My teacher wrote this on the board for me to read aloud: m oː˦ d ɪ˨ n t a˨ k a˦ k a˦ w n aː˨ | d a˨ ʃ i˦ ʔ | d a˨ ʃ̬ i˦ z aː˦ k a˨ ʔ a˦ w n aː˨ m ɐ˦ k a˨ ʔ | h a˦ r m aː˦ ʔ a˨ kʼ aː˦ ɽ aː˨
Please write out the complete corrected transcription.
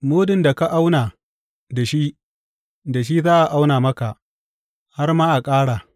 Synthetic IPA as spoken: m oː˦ d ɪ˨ n d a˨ k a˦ ʔ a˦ w n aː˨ | d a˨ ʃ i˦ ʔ | d a˨ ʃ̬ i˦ z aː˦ ʔ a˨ ʔ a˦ w n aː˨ m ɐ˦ k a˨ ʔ | h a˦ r m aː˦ ʔ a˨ kʼ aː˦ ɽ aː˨